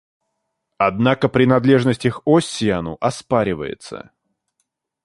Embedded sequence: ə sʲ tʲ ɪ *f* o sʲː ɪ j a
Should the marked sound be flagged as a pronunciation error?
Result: yes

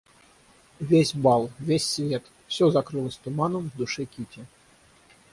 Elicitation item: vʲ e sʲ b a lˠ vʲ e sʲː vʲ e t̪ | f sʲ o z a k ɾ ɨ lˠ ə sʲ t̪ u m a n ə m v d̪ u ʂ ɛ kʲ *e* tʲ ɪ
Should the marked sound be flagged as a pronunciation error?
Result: yes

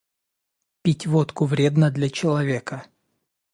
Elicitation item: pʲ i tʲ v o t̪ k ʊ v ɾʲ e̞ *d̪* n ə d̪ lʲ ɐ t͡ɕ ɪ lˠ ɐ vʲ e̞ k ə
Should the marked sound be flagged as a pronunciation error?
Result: no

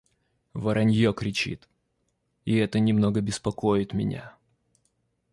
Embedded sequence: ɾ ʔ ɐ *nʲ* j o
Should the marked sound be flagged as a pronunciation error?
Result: no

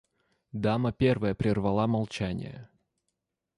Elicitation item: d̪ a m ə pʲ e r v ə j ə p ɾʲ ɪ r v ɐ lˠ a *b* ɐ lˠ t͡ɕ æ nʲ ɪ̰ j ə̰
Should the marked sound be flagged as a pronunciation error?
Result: yes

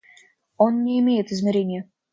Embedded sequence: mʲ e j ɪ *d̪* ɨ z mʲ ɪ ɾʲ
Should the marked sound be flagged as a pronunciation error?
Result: yes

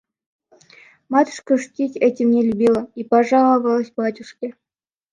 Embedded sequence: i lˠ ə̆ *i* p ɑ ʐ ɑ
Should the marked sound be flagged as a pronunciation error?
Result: no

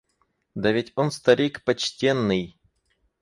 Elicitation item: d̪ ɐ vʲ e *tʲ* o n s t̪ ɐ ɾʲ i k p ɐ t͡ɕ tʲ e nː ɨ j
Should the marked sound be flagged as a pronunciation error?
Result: no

